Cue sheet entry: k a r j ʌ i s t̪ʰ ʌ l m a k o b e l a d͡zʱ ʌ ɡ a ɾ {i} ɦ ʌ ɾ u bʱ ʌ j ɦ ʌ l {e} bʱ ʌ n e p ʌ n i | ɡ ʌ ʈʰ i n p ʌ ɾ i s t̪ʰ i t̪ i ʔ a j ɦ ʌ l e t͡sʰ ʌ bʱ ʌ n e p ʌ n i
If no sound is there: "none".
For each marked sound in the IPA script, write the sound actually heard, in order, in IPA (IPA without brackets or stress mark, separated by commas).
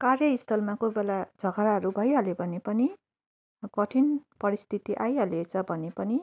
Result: a, e